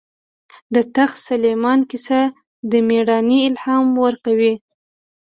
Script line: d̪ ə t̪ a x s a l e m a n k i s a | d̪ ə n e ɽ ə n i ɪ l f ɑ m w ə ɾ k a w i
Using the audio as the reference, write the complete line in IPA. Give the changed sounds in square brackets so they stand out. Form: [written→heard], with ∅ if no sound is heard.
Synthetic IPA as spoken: d̪ ə t̪ a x s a l e m [a→ɑ] n k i s a | d̪ ə [n→m] e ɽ [ə→ɑ] n i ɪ l [f→h] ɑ m w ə ɾ k a w i